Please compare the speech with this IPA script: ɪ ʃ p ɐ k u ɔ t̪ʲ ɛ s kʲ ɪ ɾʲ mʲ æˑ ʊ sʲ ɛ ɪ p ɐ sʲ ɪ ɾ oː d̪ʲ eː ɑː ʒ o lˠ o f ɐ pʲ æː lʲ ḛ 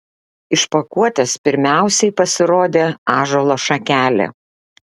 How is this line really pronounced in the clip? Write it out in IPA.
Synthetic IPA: ɪ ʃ p ɐ k u ɔ t̪ʲ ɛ s pʲ ɪ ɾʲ mʲ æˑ ʊ sʲ ɛ ɪ p ɐ sʲ ɪ ɾ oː d̪ʲ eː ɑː ʒ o lˠ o ʃ ɐ kʲ æː lʲ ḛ